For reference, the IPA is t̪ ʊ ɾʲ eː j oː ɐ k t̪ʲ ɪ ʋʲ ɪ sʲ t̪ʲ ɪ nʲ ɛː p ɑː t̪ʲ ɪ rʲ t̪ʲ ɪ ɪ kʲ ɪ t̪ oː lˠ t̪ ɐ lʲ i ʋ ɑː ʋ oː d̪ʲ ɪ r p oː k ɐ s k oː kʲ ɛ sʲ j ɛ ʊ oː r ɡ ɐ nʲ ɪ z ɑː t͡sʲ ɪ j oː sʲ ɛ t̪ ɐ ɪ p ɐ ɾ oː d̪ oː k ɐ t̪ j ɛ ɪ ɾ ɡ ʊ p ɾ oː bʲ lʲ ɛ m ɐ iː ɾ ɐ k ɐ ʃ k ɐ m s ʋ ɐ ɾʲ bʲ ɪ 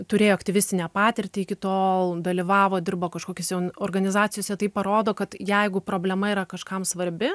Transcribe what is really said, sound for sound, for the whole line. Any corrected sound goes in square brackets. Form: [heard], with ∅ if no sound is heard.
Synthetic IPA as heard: t̪ ʊ ɾʲ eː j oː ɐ k t̪ʲ ɪ ʋʲ ɪ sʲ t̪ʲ ɪ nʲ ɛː p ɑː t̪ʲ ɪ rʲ t̪ʲ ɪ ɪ kʲ ɪ t̪ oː lˠ [d̪] ɐ lʲ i ʋ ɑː ʋ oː d̪ʲ ɪ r [b] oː k ɐ [ʃ] k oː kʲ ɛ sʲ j ɛ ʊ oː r ɡ ɐ nʲ ɪ z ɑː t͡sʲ ɪ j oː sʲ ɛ t̪ ɐ ɪ p ɐ ɾ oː d̪ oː k ɐ t̪ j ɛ ɪ [∅] ɡ ʊ p ɾ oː bʲ lʲ ɛ m ɐ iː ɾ ɐ k ɐ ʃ k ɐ m s ʋ ɐ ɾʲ bʲ ɪ